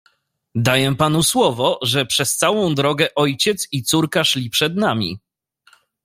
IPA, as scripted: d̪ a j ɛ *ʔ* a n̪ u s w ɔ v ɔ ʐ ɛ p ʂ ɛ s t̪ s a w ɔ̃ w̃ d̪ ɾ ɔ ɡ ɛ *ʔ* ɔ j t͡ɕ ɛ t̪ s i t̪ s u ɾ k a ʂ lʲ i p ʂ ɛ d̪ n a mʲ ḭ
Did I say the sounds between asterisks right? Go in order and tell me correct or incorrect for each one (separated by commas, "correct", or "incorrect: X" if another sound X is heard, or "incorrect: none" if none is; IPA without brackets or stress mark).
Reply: incorrect: p, correct